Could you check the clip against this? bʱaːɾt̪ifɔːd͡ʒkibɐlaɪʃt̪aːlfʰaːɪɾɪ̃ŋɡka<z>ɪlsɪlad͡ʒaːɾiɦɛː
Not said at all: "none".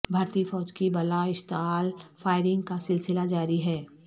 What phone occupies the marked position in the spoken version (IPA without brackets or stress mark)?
s